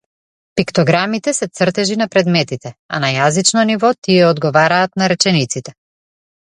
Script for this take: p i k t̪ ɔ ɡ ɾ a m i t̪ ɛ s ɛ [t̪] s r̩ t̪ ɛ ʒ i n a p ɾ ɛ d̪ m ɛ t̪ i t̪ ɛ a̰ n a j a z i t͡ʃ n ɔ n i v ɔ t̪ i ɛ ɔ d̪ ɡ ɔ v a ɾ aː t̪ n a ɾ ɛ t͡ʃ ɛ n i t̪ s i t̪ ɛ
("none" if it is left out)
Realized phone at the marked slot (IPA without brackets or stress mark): t̪